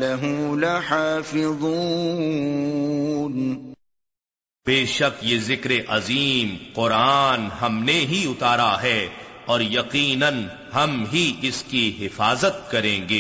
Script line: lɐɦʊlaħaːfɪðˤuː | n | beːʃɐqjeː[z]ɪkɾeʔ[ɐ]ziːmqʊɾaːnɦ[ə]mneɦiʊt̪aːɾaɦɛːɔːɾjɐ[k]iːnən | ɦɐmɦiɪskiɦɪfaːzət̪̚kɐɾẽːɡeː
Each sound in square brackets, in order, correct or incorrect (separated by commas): correct, correct, incorrect, incorrect